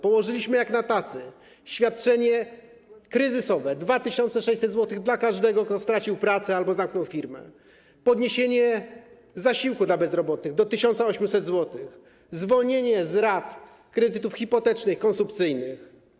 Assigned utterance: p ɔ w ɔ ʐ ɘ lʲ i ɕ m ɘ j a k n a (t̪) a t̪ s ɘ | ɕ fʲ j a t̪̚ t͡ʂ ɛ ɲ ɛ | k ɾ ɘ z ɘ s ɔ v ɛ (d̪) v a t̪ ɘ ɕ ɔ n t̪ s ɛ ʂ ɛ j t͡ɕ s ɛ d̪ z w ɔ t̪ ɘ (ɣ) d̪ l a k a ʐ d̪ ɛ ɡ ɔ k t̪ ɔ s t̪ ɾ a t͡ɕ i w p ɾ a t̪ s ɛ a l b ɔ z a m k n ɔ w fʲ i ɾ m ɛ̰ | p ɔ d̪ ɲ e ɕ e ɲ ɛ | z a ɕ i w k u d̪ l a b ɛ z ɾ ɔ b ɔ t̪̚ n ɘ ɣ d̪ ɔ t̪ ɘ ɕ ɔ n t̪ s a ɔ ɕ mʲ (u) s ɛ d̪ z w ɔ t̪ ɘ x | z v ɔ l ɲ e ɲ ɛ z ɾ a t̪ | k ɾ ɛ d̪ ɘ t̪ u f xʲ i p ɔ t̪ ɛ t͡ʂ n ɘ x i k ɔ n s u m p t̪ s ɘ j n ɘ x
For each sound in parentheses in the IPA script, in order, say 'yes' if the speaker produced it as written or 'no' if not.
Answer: yes, yes, yes, yes

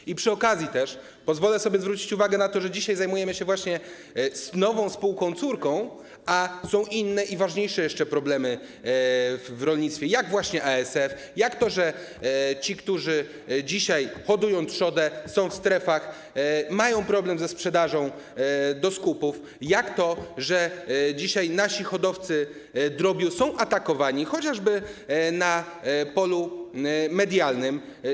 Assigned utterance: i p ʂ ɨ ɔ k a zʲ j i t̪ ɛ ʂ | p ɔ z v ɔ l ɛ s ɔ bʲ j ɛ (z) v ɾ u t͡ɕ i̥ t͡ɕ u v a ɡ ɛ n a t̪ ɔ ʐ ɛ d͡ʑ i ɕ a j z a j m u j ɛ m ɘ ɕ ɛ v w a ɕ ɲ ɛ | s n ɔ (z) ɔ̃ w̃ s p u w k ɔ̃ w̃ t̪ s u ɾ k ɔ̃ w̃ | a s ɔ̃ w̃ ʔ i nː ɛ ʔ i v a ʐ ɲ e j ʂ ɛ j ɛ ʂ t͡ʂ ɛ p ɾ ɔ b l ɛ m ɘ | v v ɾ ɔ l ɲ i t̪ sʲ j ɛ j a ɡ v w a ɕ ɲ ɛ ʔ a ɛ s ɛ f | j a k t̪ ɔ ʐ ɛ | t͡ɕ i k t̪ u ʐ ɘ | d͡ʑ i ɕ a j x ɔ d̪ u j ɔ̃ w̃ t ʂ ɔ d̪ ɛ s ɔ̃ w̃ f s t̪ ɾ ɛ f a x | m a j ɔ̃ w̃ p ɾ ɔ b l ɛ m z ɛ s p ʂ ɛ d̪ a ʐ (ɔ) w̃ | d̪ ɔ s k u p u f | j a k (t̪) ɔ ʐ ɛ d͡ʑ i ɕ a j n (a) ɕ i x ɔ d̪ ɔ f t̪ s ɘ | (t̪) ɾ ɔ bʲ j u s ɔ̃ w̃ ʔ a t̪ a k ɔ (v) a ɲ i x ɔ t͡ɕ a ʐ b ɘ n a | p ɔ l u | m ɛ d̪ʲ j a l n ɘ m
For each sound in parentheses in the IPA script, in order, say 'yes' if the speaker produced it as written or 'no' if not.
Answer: yes, no, no, yes, yes, no, yes

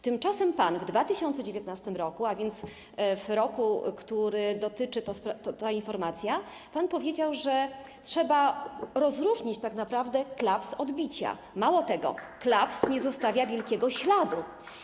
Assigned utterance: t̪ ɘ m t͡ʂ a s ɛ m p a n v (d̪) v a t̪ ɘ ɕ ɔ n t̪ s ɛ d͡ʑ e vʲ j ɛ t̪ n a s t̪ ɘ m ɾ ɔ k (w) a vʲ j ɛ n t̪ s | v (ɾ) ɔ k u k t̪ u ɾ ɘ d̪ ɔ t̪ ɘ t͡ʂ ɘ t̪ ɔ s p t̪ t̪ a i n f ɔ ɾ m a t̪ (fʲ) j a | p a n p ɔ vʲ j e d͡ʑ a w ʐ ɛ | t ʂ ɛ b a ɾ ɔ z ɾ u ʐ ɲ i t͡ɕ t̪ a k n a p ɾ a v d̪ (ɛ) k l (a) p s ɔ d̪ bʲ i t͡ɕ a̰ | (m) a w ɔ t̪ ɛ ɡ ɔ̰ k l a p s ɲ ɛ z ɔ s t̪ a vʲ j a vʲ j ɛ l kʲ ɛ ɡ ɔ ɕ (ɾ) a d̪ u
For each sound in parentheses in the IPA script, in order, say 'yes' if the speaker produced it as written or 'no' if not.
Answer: yes, no, yes, no, yes, yes, yes, no

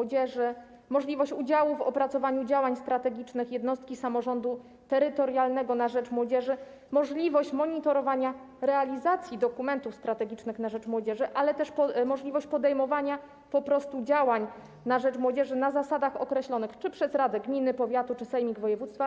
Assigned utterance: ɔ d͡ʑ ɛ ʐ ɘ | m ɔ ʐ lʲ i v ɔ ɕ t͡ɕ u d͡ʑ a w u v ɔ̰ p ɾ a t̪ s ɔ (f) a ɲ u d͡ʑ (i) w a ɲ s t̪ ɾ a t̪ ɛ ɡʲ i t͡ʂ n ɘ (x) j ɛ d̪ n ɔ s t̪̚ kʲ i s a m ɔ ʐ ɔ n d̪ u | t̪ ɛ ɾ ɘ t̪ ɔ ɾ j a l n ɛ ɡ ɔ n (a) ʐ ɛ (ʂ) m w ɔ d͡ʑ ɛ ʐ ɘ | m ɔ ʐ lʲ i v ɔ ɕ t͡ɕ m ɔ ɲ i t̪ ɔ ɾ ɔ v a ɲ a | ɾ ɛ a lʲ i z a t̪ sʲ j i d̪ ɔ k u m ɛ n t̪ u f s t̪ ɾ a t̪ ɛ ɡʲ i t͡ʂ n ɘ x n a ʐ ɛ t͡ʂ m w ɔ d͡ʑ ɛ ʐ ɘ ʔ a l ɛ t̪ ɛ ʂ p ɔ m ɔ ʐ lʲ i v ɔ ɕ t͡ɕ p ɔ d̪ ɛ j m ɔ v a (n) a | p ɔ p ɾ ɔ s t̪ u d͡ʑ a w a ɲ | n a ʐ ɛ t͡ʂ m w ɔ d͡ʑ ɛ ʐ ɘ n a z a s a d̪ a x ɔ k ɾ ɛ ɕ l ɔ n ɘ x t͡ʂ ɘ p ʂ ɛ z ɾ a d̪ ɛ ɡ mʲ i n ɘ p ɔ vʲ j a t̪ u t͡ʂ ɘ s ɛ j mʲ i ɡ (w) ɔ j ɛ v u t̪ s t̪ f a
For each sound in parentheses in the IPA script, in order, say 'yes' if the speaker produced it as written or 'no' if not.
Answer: no, no, yes, yes, no, no, no

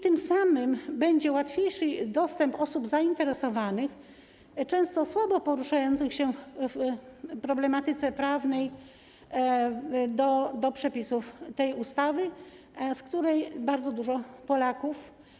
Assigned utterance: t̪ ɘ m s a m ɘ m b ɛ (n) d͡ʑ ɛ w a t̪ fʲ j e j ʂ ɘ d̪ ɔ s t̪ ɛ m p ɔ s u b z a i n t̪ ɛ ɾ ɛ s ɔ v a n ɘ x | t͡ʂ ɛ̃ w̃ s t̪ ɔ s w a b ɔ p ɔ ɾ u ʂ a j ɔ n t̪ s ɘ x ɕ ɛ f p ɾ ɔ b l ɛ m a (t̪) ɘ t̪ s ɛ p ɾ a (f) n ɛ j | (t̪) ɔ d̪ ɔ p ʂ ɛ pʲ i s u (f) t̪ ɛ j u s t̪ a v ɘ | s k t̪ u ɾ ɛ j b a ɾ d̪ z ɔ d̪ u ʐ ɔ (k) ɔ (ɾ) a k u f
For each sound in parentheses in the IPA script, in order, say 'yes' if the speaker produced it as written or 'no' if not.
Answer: no, yes, no, no, yes, no, no

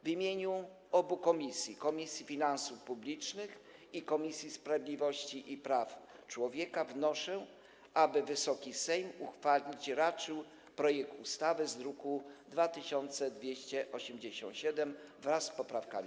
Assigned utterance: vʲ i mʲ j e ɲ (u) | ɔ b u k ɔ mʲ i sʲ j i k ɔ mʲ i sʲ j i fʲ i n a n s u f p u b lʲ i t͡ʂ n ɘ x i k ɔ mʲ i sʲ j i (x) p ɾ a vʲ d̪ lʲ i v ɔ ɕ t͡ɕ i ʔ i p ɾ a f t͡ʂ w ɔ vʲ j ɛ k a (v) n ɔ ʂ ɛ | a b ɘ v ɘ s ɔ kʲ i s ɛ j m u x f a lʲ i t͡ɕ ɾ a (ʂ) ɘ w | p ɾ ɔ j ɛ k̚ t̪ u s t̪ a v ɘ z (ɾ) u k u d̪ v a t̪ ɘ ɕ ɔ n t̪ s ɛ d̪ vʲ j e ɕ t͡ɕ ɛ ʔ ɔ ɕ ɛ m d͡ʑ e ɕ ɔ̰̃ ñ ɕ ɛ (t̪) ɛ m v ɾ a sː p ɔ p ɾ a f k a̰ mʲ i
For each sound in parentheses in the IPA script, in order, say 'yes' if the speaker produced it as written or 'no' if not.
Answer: yes, no, yes, no, yes, no

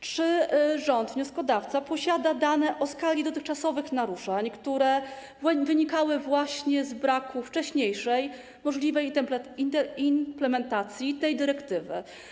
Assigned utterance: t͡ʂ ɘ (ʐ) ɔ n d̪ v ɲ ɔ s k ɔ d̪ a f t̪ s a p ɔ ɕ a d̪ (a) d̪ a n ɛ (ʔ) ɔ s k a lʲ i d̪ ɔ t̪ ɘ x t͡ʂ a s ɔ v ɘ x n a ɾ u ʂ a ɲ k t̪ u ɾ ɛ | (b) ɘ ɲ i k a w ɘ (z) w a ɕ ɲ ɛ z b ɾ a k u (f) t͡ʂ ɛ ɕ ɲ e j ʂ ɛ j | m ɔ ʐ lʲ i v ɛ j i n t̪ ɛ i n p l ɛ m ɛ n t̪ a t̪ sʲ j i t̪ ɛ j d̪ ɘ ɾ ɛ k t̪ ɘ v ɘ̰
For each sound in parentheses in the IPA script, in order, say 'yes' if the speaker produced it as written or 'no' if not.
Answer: yes, yes, yes, no, no, yes

